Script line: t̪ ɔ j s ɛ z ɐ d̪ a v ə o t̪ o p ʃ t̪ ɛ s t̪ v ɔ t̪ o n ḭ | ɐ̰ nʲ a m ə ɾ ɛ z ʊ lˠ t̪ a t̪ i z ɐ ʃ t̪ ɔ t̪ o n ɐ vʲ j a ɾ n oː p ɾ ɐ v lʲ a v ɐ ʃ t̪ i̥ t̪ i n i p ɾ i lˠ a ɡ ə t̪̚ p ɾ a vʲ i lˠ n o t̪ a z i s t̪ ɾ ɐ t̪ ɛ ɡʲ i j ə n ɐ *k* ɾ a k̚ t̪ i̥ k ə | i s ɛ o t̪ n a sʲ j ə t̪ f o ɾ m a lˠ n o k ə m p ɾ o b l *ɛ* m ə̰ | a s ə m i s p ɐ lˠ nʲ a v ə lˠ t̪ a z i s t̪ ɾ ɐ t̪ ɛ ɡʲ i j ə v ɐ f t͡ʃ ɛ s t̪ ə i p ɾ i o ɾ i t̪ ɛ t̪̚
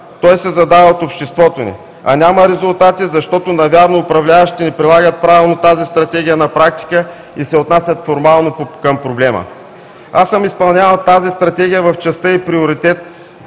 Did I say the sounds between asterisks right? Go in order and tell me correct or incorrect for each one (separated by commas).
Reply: incorrect, correct